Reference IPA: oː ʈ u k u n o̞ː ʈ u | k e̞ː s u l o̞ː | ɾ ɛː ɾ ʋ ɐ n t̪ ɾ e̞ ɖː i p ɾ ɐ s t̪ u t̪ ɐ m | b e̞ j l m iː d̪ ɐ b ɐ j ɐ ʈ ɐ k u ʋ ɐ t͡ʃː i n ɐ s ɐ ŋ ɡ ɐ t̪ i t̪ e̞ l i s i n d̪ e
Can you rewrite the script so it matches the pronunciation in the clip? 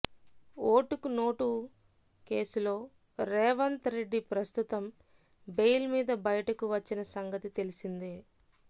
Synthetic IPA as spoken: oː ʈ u k u n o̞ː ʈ u | k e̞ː s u l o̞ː | ɾ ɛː ʋ ɐ n t̪ ɾ e̞ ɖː i p ɾ ɐ s t̪ u t̪ ɐ m | b e̞ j l m iː d̪ ɐ b ɐ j ɐ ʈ ɐ k u ʋ ɐ t͡ʃː i n ɐ s ɐ ŋ ɡ ɐ t̪ i t̪ e̞ l i s i n d̪ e